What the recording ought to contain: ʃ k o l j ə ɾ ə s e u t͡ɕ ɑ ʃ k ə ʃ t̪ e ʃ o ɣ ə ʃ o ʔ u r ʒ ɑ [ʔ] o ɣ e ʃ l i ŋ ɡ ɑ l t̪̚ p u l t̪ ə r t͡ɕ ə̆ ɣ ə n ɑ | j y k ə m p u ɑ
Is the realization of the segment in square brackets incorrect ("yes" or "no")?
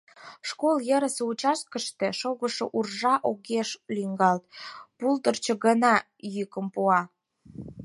no